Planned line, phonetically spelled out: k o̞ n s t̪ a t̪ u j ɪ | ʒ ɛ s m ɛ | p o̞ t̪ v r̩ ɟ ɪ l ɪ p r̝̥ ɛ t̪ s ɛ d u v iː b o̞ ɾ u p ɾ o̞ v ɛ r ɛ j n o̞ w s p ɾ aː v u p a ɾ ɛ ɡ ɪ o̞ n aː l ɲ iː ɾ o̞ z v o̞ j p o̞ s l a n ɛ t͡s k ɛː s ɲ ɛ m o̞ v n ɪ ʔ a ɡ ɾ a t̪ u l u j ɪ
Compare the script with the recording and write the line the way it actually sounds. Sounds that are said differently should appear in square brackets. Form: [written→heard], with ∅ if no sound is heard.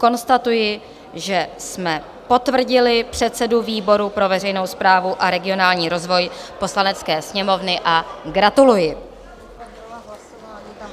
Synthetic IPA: k o̞ n s t̪ a t̪ u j ɪ | ʒ ɛ s m ɛ | p o̞ t̪ v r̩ ɟ ɪ l ɪ p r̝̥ ɛ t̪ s ɛ d u v iː b o̞ ɾ u p ɾ o̞ v ɛ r ɛ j n o̞ w s p ɾ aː v u [p→ʔ] a ɾ ɛ ɡ ɪ o̞ n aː l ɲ iː ɾ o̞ z v o̞ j p o̞ s l a n ɛ t͡s k ɛː s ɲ ɛ m o̞ v n ɪ ʔ a ɡ ɾ a t̪ u l u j ɪ

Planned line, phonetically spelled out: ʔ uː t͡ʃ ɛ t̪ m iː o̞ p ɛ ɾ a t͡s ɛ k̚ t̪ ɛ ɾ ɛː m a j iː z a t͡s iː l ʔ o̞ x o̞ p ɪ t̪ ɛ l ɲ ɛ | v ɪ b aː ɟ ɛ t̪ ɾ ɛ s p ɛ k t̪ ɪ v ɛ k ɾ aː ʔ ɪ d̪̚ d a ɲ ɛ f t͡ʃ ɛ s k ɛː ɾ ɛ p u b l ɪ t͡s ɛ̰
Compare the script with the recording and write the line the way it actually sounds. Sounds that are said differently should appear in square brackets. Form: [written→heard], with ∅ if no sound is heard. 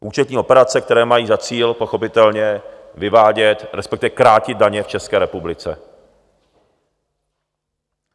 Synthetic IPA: ʔ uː t͡ʃ ɛ t̪ [m→ɲ] iː o̞ p ɛ ɾ a t͡s ɛ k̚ t̪ ɛ ɾ ɛː m a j iː z a t͡s iː l [ʔ→p] o̞ x o̞ p ɪ t̪ ɛ l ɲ ɛ | v ɪ [b→v] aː ɟ ɛ t̪ ɾ ɛ s p ɛ k t̪ ɪ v ɛ k ɾ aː [ʔ→c] ɪ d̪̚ d a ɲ ɛ f t͡ʃ ɛ s k ɛː ɾ ɛ p u b l ɪ t͡s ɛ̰

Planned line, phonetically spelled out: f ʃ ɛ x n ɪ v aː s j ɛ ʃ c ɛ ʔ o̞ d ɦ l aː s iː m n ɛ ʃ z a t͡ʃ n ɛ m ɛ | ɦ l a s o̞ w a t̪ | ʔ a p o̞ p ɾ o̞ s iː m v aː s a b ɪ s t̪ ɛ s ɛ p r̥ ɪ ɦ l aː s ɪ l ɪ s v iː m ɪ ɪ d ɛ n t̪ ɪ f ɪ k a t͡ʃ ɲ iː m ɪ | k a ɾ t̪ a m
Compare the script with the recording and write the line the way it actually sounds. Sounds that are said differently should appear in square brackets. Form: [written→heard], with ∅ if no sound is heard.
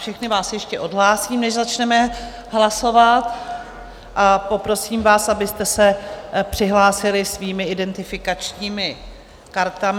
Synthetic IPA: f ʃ ɛ x n ɪ v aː s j ɛ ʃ c ɛ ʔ o̞ d ɦ l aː s iː m n ɛ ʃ z a t͡ʃ n ɛ m ɛ | ɦ l a s o̞ [w→v] a t̪ | ʔ a p o̞ p ɾ o̞ s iː m v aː s a b ɪ s t̪ ɛ s ɛ p r̥ ɪ ɦ l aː s ɪ l ɪ s v iː m ɪ ɪ d ɛ n t̪ ɪ f ɪ k a t͡ʃ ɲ iː m ɪ | k a ɾ t̪ a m

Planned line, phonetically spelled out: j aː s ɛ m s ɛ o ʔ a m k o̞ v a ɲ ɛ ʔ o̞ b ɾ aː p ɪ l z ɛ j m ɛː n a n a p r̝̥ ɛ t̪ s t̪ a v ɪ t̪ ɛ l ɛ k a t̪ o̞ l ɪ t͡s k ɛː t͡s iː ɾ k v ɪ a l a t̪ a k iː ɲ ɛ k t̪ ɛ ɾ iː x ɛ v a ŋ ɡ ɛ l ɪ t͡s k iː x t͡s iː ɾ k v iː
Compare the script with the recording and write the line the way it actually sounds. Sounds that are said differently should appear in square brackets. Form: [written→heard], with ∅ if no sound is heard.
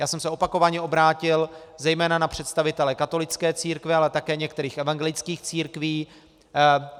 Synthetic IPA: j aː s ɛ m s ɛ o [ʔ→p] a [m→∅] k o̞ v a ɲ ɛ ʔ o̞ b ɾ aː [p→c] ɪ l z ɛ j m ɛː n a n a p r̝̥ ɛ t̪ s t̪ a v ɪ t̪ ɛ l ɛ k a t̪ o̞ l ɪ t͡s k ɛː t͡s iː ɾ k v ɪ a l [a→ɛ] t̪ a k [iː→ɛː] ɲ ɛ k t̪ ɛ ɾ iː x ɛ v a ŋ ɡ ɛ l ɪ t͡s k iː x t͡s iː ɾ k v iː

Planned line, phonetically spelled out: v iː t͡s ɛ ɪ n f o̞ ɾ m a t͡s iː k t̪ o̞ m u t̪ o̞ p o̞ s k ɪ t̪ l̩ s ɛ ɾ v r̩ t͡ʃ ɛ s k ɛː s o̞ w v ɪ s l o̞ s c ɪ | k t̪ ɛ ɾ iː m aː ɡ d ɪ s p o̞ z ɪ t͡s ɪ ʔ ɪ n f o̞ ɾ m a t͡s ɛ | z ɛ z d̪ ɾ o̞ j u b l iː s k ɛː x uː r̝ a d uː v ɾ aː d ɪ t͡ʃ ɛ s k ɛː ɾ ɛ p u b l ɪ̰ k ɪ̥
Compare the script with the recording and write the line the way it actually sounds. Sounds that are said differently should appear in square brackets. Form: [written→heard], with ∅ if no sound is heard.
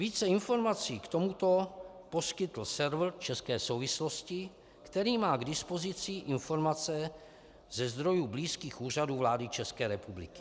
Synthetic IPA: v iː t͡s ɛ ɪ n f o̞ ɾ m a t͡s iː k t̪ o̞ m u t̪ o̞ p o̞ s k ɪ t̪ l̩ s ɛ ɾ v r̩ t͡ʃ ɛ s k ɛː s o̞ w v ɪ s l o̞ s c ɪ | k t̪ ɛ ɾ iː m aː ɡ d ɪ s p o̞ z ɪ t͡s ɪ ʔ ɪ n f o̞ ɾ m a t͡s ɛ | z ɛ z d̪ ɾ o̞ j u b l iː s k [ɛː→iː] x uː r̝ a d uː v [ɾ→l] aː d ɪ t͡ʃ ɛ s k ɛː ɾ ɛ p u b l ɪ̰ k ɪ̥

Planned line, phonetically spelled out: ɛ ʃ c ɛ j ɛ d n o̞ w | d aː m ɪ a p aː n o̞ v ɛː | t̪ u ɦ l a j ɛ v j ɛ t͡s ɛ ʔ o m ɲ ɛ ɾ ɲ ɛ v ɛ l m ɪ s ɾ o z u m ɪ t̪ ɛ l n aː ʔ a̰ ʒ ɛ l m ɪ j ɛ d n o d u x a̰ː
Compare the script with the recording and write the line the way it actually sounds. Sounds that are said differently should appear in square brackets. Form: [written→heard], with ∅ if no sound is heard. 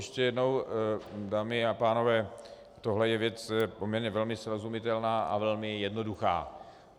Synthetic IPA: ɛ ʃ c ɛ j ɛ d n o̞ w | d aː m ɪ a p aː n o̞ v ɛː | t̪ [u→o] ɦ l [a→ɛ] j ɛ v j ɛ t͡s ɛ [ʔ→p] o m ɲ ɛ ɾ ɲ ɛ v ɛ l m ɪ s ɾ o z u m ɪ t̪ ɛ l n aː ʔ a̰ [ʒ→v] ɛ l m ɪ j ɛ d n o d u x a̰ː

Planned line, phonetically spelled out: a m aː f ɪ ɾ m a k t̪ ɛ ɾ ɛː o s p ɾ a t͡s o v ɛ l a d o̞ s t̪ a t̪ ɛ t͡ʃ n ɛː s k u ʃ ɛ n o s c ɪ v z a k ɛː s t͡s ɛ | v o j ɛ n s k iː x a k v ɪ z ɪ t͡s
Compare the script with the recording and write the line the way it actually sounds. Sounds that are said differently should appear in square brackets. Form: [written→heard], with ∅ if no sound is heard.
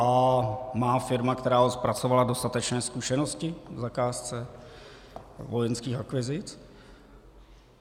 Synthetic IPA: a m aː f ɪ ɾ m a k t̪ ɛ ɾ [ɛː→aː] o s p ɾ a t͡s o v [ɛ→a] l a d o̞ s t̪ a t̪ ɛ t͡ʃ n ɛː s k u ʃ ɛ n o s c ɪ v z a k [ɛː→aː] s t͡s ɛ | v o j ɛ n s k iː x a k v ɪ z ɪ t͡s

